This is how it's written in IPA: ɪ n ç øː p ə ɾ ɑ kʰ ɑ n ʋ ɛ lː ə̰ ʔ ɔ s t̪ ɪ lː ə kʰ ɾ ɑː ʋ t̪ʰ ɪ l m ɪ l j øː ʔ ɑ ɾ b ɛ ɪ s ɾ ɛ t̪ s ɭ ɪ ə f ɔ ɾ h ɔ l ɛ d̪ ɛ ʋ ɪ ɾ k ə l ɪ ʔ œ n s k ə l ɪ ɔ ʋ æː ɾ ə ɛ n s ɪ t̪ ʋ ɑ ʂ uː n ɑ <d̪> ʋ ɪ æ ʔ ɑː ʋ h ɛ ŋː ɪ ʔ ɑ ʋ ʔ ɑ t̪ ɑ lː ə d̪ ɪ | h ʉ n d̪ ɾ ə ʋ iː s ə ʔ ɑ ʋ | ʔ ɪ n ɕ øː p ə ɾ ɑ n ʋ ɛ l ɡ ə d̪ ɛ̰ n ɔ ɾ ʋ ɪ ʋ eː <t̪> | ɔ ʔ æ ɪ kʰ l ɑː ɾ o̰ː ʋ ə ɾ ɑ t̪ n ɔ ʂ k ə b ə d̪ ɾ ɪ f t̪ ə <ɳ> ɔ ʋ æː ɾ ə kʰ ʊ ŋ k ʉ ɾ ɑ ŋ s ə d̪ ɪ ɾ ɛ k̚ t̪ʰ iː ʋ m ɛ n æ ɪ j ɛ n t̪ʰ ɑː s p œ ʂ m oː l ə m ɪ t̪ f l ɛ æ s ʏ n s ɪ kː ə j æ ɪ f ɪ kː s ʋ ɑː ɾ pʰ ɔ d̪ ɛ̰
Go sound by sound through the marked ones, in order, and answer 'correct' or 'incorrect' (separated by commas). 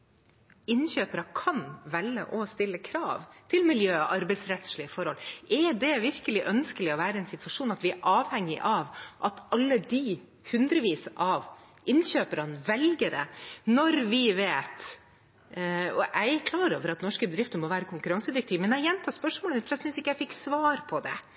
incorrect, correct, incorrect